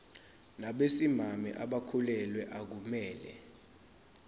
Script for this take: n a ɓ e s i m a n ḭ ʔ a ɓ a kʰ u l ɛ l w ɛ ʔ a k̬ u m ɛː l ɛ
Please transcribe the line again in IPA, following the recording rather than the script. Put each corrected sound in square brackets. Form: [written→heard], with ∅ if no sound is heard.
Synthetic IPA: n a ɓ e s i m a [n→m] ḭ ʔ a ɓ a kʰ u l ɛ l w ɛ ʔ a k̬ u m ɛː l ɛ